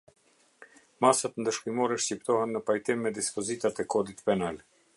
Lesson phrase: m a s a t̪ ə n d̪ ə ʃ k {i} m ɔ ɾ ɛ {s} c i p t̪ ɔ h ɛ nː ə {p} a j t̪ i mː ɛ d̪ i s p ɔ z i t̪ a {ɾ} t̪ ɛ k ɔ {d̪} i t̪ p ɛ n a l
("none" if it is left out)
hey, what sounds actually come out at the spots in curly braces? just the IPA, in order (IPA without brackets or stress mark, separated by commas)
i, ʃ, p, none, d̪